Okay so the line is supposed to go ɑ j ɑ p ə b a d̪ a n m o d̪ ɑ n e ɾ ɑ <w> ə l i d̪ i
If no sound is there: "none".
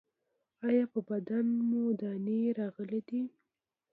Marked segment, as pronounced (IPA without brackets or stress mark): ɣ